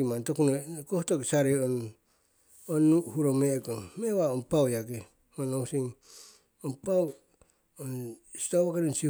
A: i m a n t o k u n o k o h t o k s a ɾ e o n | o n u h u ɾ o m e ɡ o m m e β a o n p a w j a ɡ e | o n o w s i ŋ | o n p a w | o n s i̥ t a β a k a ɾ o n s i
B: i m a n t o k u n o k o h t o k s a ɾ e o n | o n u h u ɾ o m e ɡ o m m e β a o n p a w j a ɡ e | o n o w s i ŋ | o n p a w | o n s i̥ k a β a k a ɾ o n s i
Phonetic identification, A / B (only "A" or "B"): A